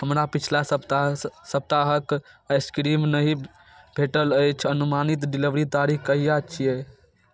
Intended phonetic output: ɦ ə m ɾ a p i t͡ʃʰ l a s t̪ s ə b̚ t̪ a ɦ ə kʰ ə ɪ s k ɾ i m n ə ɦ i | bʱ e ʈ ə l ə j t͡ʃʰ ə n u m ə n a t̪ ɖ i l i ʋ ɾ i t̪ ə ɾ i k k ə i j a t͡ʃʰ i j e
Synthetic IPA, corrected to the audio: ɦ ə m ɾ a p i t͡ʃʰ l a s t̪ s ə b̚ t̪ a ɦ ə k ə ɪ s k ɾ i m n ə ɦ i | bʱ e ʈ ə l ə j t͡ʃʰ ə n u m a n i t̪ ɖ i l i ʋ ɾ i t̪ a ɾ i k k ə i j a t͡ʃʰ i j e